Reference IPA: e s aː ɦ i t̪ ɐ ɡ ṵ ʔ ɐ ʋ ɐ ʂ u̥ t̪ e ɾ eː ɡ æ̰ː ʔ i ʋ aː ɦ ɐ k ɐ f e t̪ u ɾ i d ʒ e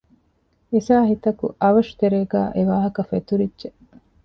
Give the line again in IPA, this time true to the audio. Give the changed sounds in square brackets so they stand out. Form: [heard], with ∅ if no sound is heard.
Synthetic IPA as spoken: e s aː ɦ i t̪ ɐ [k] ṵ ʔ ɐ ʋ ɐ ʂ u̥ t̪ e ɾ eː ɡ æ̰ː ʔ [e] ʋ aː ɦ ɐ k ɐ f e t̪ u ɾ i d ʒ e